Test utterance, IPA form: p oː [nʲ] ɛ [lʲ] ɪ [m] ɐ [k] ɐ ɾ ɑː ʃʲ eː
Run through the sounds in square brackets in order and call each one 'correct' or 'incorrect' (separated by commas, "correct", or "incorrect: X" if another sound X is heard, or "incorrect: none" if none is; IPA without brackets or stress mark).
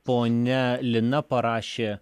correct, correct, incorrect: n, incorrect: p